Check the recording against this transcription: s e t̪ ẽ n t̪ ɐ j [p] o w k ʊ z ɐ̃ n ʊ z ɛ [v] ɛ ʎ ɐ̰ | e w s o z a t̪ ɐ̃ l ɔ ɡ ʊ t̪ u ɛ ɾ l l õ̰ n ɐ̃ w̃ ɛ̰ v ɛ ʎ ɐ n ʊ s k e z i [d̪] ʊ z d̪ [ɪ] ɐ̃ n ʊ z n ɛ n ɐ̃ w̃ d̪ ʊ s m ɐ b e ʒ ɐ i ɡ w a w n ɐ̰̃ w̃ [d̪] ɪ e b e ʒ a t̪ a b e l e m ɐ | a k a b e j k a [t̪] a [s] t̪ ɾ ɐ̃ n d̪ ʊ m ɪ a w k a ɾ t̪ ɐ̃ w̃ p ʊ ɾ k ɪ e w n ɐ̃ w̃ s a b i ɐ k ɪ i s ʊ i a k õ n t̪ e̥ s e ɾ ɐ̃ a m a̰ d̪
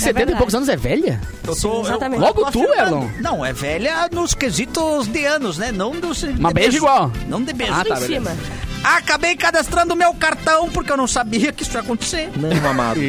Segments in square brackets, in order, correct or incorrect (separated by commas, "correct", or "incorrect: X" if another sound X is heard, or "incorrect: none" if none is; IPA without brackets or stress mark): correct, correct, incorrect: t̪, correct, correct, incorrect: d̪, correct